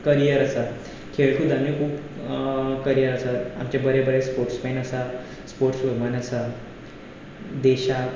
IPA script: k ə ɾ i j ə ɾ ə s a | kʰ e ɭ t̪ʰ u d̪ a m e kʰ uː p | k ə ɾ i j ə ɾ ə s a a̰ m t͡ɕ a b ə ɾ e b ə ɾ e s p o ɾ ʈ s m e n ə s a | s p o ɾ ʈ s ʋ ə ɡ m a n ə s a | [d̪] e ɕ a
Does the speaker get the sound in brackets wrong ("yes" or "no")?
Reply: no